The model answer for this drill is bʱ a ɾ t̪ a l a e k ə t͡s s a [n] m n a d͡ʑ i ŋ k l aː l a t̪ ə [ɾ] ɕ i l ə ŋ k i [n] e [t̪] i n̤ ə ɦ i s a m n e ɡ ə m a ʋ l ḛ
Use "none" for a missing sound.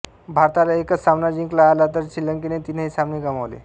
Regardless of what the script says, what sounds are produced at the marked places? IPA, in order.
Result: none, ɾ, n, t̪

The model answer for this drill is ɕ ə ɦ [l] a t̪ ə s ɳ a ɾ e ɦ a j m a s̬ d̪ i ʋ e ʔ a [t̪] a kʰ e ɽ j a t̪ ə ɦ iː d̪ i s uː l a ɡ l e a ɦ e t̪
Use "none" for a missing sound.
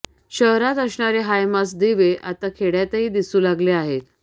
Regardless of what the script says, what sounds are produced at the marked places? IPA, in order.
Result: ɾ, t̪

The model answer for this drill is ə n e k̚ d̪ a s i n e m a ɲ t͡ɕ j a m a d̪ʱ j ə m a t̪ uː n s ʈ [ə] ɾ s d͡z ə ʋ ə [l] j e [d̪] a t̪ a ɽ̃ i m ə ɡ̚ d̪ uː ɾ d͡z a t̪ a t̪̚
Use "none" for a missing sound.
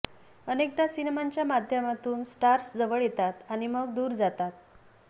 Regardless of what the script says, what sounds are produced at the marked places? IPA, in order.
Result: a, ɭ, t̪

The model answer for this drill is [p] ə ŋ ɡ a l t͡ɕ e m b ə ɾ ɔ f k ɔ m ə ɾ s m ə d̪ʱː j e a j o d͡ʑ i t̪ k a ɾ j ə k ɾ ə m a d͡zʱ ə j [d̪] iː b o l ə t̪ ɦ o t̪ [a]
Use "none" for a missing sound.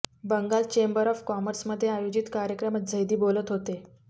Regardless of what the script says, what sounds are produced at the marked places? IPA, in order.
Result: b, d̪, e

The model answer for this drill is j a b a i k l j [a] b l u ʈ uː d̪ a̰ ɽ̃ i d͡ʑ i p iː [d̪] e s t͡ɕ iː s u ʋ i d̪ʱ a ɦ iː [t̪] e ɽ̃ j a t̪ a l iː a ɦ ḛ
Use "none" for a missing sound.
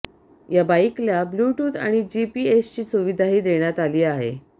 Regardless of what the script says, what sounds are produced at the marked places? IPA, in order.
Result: a, none, d̪

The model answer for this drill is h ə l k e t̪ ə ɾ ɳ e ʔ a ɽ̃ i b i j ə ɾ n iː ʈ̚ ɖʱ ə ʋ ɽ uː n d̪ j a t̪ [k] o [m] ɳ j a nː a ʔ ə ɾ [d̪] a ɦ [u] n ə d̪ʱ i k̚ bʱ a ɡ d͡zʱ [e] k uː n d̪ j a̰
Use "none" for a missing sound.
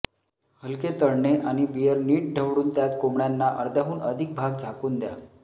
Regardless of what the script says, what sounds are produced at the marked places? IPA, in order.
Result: k, m, d̪, uː, a

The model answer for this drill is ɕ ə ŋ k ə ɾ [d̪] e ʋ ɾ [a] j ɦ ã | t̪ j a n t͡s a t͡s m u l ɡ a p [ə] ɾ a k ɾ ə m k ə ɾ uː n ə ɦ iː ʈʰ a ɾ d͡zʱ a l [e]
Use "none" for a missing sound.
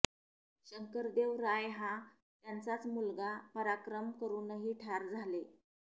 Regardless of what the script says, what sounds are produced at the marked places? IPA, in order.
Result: d̪, a, ə, e

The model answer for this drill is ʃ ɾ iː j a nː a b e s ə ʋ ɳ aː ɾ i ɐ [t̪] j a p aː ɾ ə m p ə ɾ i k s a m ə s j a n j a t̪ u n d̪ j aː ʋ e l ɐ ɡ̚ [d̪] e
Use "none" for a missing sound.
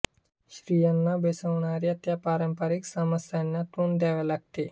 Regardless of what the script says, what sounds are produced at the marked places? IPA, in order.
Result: t̪, t̪

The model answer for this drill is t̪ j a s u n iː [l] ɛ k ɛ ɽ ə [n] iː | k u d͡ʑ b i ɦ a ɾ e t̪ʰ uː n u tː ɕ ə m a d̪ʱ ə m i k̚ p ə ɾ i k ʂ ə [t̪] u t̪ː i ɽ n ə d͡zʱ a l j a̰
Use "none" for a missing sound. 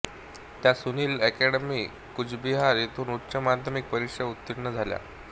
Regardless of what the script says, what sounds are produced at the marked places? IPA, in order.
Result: l, m, none

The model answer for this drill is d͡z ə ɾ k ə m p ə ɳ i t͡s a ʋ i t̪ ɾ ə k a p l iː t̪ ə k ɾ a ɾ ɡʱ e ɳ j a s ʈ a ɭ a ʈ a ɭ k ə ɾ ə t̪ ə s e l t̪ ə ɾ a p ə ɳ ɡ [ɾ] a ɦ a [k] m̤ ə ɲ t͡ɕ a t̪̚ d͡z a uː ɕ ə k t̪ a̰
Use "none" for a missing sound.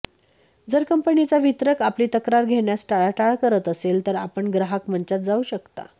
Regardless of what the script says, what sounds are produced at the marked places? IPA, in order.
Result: ɾ, k

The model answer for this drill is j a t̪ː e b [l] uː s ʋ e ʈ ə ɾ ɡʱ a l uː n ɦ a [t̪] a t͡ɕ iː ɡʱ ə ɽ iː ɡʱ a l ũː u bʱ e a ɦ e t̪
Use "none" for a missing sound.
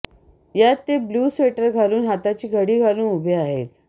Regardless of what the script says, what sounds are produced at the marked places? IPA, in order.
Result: l, t̪

